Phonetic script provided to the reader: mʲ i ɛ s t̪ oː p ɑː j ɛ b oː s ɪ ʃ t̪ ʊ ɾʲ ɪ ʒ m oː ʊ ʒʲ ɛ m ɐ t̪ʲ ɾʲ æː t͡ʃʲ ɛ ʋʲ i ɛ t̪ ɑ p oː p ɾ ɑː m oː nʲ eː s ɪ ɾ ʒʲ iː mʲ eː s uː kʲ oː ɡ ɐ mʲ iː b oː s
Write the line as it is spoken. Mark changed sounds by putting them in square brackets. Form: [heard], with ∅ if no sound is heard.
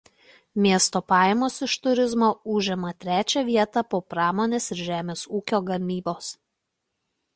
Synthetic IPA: mʲ i ɛ s t̪ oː p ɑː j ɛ [m] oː s ɪ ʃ t̪ ʊ ɾʲ ɪ [z] m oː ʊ ʒʲ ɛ m ɐ t̪ʲ ɾʲ æː t͡ʃʲ ɛ ʋʲ i ɛ t̪ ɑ p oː p ɾ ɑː m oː nʲ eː s ɪ ɾ ʒʲ [æː] mʲ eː s uː kʲ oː ɡ ɐ mʲ iː b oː s